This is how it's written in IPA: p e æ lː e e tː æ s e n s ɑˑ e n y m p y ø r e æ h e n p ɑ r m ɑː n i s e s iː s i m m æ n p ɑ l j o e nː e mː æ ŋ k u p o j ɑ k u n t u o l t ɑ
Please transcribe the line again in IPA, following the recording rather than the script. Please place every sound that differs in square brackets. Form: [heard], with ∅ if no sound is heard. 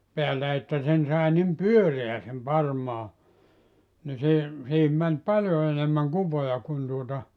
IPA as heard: p e æ lː [æ] e tː æ s e n s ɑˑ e n [i] m p y ø r e æ [s] e [m] p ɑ r m ɑː n i s e s iː [h] i m m æ n p ɑ l j o e [n] e mː æ ŋ k u p o j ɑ k u n t u o [∅] t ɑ